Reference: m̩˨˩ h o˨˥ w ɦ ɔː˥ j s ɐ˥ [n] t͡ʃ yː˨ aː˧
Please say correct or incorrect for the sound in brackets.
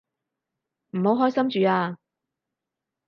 incorrect